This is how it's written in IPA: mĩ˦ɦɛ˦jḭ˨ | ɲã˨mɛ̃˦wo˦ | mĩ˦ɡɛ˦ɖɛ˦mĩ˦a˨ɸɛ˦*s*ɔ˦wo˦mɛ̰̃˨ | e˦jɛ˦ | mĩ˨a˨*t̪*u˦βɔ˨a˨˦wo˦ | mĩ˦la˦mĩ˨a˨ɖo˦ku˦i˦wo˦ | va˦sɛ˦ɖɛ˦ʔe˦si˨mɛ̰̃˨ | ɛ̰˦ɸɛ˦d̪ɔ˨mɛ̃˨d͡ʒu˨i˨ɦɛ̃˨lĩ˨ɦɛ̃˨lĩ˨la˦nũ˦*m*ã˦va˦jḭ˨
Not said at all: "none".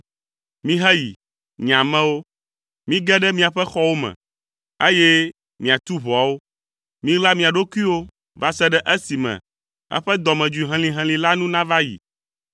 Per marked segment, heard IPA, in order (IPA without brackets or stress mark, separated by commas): x, t̪, n